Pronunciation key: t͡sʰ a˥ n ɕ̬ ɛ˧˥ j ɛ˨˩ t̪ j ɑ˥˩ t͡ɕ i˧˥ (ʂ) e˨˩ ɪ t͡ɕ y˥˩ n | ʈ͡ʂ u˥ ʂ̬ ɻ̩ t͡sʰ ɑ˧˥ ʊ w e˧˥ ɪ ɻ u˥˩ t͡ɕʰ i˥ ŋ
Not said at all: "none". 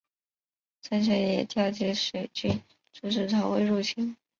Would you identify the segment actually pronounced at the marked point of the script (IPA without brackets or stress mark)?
ʂ